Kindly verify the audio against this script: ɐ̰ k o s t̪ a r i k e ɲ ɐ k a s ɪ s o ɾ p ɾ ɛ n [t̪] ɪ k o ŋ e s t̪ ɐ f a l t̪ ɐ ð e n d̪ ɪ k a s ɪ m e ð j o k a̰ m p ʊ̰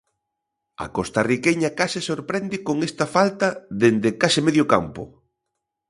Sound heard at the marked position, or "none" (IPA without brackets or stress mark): d̪